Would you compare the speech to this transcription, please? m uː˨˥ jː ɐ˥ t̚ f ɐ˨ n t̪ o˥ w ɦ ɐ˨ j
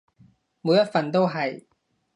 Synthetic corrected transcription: m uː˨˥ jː ɐ˥ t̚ f ɐ˨ n t̪ o˥ w ɦ ɐ˨ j

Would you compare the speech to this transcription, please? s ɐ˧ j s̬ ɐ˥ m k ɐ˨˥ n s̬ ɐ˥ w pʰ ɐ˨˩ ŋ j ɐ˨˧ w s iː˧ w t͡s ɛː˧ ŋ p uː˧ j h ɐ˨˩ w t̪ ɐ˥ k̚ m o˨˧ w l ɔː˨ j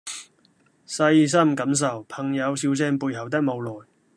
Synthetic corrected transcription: s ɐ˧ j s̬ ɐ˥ m k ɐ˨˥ m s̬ ɐ˨˩ w pʰ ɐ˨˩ ŋ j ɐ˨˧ w s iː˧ w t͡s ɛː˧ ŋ p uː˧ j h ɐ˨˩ w t̪ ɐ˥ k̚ m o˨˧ w l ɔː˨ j

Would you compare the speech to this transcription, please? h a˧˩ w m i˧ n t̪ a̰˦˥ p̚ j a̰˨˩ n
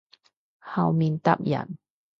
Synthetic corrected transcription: h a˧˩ w m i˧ n t̪ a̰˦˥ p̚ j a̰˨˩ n

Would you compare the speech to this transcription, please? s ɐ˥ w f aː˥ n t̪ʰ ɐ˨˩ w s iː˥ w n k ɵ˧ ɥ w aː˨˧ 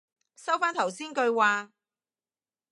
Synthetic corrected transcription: s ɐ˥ w f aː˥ n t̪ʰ ɐ˨˩ w s iː˥ n k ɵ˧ ɥ w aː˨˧

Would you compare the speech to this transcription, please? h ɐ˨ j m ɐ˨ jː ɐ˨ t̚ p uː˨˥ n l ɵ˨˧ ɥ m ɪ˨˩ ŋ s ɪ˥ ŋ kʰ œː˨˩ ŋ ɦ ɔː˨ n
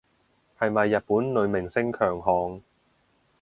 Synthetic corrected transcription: h ɐ˨ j m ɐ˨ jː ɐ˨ t̚ p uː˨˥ n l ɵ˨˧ ɥ m ɪ˨˩ ŋ s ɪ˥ ŋ kʰ œː˨˩ ŋ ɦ ɔː˨ ŋ

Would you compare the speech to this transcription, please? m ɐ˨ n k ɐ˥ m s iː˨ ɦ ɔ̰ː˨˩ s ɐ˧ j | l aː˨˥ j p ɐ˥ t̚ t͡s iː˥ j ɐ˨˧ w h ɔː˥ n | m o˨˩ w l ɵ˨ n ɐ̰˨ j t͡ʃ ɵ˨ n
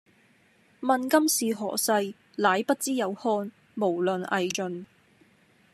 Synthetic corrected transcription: m ɐ˨ n k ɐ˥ m s iː˨ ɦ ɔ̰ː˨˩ s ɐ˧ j | l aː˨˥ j p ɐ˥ t̚ t͡s iː˥ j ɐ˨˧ w h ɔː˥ n | m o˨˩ w l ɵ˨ n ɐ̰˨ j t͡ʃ ɵ˨ n

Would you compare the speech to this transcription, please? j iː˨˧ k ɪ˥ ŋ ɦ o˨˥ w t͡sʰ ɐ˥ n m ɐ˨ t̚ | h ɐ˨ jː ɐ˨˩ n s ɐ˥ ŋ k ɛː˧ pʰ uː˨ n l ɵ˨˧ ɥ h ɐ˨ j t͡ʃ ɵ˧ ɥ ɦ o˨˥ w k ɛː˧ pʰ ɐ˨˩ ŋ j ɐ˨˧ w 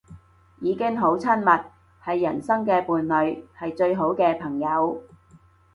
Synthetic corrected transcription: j iː˨˧ k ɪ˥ ŋ ɦ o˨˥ w t͡sʰ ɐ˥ n m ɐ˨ t̚ | h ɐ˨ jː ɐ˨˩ n s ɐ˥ ŋ k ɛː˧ p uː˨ n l ɵ˨˧ ɥ h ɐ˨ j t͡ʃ ɵ˧ ɥ ɦ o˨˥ w k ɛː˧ pʰ ɐ˨˩ ŋ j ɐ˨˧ w

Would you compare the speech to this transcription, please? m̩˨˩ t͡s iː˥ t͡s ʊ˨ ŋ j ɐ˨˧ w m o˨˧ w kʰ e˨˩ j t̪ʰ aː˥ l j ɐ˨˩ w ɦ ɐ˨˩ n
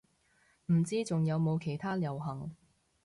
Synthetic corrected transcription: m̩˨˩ t͡s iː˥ t͡s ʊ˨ ŋ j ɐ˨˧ w m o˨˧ w kʰ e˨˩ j t̪ʰ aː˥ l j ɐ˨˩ w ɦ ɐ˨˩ ŋ

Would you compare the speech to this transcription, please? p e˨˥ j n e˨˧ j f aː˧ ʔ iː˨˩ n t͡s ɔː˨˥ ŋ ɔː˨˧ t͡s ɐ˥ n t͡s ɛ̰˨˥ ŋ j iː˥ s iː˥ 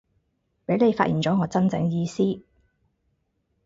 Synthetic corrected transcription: p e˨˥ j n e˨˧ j f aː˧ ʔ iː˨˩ n t͡s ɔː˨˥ ŋ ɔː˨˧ t͡s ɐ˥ n t͡s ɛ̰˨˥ ŋ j iː˧ s iː˥

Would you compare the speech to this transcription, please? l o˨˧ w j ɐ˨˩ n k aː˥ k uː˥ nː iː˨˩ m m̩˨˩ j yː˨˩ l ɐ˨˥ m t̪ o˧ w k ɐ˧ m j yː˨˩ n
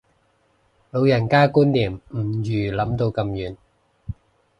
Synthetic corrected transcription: l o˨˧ w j ɐ˨˩ n k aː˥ k uː˥ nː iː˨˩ m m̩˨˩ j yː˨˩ l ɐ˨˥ m t̪ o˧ w k ɐ˧ m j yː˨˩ n

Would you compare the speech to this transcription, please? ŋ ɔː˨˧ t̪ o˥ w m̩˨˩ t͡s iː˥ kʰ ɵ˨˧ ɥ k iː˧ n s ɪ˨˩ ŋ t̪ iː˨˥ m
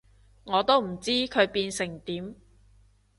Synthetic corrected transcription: ŋ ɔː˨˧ t̪ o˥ w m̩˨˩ t͡s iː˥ kʰ ɵ˨˧ ɥ p iː˧ n s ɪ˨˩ ŋ t̪ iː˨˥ m

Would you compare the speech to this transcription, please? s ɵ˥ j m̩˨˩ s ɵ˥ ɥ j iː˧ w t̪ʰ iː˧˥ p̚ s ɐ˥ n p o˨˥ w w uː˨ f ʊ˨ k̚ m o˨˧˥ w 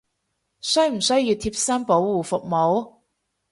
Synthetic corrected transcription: s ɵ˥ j m̩˨˩ s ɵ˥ ɥ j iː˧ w t̪ʰ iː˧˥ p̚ s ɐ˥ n p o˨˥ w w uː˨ f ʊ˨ k̚ m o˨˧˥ w

